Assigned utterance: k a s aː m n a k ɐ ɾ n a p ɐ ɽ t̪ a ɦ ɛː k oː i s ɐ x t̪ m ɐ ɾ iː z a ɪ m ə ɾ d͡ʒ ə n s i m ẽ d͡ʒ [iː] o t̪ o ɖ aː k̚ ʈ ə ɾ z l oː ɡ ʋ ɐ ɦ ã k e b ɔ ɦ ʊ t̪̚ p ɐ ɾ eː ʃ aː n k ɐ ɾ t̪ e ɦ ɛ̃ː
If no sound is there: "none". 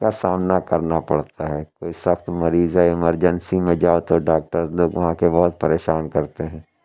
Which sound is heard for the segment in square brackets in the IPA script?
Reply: aː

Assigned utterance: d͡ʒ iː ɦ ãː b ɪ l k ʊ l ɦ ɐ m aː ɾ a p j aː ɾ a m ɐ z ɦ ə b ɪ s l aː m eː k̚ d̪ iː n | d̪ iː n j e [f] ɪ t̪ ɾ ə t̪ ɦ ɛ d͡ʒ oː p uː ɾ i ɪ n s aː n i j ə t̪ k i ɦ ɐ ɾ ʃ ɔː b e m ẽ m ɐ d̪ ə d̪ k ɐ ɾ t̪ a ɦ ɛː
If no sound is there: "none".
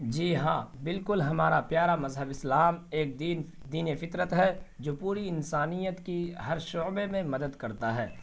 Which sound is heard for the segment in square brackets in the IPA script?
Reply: f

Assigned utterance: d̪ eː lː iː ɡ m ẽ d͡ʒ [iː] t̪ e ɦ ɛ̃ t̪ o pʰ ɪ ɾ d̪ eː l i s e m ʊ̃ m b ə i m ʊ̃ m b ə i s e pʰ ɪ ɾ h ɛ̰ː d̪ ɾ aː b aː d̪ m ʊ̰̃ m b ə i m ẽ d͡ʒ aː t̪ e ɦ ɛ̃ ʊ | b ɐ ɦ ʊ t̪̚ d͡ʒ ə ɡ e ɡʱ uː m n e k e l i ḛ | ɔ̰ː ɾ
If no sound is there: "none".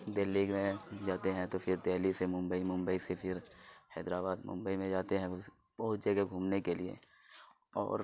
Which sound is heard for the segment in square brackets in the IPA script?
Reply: aː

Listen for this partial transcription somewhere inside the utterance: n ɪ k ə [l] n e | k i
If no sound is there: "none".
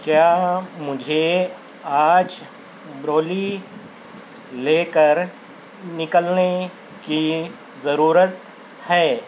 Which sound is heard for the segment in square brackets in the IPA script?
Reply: l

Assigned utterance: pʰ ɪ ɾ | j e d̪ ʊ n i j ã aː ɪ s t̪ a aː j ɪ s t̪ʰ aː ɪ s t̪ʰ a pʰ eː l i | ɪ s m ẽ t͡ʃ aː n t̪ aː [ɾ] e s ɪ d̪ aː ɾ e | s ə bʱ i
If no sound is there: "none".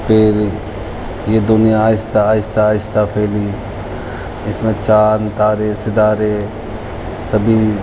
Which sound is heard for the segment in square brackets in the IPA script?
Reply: ɾ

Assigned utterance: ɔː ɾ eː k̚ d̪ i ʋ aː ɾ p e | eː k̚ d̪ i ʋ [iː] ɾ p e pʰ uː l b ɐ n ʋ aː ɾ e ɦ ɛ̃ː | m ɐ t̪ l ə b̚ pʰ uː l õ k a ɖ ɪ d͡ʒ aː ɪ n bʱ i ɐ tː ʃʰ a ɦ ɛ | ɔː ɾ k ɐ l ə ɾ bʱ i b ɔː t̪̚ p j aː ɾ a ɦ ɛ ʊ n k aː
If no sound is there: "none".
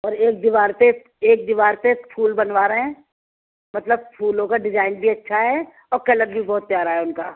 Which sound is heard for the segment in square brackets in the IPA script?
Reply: aː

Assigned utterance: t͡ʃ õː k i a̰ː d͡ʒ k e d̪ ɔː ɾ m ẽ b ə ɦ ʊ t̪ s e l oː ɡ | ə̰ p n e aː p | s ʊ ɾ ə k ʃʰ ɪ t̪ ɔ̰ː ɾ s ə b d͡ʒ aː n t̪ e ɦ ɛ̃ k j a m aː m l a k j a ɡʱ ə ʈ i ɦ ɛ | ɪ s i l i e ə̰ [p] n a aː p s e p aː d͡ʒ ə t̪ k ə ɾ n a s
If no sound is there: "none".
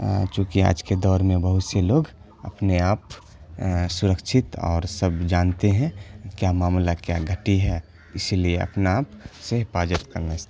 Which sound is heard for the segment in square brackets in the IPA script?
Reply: p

